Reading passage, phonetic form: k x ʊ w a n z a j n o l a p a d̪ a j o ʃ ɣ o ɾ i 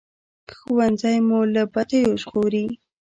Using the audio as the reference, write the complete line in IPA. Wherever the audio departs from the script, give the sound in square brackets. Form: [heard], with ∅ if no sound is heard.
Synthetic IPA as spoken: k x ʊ w a n z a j [m] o l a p a [t̪] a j o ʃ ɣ o ɾ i